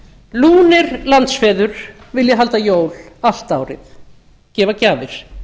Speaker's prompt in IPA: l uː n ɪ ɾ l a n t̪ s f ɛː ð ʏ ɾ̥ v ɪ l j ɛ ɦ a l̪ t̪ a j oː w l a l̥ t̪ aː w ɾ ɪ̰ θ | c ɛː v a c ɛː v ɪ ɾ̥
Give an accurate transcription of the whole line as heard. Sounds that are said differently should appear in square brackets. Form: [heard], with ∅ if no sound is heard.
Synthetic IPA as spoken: l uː n ɪ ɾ l a n t̪ s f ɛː ð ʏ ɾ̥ v ɪ l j ɛ ɦ a l̪ t̪ a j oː w l a l̥ t̪ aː w ɾ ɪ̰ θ | c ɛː v a c [aː] v ɪ ɾ̥